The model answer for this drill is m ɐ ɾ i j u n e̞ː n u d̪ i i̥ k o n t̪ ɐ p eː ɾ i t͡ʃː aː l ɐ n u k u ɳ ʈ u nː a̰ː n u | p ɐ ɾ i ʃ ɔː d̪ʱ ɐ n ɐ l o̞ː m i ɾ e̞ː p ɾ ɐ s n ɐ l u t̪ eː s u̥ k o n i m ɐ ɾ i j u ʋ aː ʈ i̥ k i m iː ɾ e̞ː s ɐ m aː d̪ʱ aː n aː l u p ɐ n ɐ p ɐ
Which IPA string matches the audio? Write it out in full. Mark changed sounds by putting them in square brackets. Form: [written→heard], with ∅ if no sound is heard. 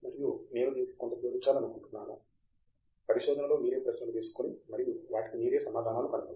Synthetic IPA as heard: m ɐ ɾ i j u n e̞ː n u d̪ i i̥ k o n t̪ ɐ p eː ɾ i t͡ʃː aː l ɐ n u k u ɳ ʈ u nː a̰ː n u | p ɐ ɾ i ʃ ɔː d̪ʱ ɐ n ɐ l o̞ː m [i→iː] ɾ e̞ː p ɾ ɐ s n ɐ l u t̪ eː s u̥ k o n i m ɐ ɾ i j u ʋ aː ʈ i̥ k i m iː ɾ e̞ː s ɐ m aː d̪ʱ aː n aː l u [p→k] ɐ n ɐ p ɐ